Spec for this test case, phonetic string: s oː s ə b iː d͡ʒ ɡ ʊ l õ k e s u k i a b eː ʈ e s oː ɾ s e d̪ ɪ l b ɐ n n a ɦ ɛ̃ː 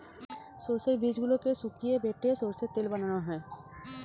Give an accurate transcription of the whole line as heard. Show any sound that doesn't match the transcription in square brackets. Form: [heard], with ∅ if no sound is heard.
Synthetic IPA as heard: s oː s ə b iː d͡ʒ ɡ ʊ l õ k e s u k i [e] b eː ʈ e s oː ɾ s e [t̪] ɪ l b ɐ n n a ɦ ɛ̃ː